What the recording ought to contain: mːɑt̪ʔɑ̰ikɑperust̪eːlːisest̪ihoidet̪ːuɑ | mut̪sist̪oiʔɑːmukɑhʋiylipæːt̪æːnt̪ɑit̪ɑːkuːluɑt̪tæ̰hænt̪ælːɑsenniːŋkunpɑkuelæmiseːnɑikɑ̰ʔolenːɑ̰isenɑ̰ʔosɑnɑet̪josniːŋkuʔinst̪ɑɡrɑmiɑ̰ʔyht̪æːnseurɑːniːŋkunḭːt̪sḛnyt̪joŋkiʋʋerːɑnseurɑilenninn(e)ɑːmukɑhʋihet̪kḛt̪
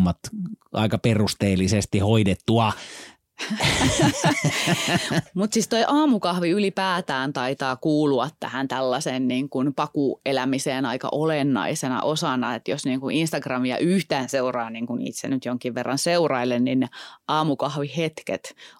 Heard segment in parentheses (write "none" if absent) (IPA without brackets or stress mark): e